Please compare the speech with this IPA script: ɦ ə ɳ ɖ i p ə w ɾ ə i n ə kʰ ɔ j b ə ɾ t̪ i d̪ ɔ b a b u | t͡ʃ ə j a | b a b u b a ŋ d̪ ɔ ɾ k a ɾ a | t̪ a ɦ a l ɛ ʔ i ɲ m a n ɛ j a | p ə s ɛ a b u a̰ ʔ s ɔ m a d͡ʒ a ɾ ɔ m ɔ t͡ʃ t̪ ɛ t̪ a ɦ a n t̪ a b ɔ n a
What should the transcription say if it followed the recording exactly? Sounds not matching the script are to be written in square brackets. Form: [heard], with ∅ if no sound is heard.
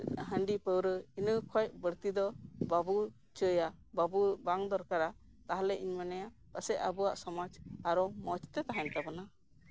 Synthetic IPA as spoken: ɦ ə ɳ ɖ i p ə w ɾ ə i n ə kʰ ɔ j b ə ɾ t̪ i d̪ ɔ b a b u | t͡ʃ ə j a | b a b u b a ŋ d̪ ɔ ɾ k a ɾ a | t̪ a ɦ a l ɛ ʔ i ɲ m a n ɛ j a | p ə s ɛ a b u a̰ ʔ s ɔ m a d͡ʒ a ɾ ɔ m ɔ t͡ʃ t̪ ɛ t̪ a ɦ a n t̪ a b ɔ n a